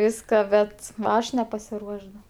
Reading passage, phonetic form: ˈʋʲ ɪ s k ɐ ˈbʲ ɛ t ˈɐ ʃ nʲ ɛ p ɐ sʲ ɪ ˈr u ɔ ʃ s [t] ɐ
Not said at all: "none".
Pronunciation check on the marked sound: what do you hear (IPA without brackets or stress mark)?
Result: d